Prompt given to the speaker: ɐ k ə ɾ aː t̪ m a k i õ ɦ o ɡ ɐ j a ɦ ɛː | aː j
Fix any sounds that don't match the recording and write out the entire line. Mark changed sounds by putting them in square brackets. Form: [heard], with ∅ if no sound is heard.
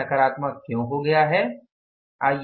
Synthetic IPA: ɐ k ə ɾ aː t̪ m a k [j] õ ɦ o ɡ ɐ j a ɦ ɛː | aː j